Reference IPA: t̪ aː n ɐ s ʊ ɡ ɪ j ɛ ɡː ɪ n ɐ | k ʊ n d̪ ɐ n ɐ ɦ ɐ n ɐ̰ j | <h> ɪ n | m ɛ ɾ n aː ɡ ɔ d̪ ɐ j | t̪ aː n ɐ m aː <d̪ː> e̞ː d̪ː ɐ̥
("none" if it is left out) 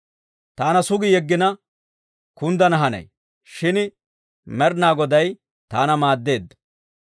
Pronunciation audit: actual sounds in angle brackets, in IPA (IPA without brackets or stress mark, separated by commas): ʃ, d̪ː